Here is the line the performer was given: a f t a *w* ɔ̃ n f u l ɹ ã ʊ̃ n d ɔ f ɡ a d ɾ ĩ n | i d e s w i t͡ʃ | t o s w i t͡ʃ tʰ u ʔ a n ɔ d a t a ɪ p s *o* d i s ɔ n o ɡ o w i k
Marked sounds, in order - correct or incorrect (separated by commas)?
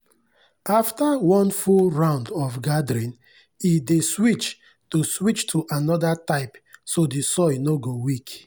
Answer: correct, correct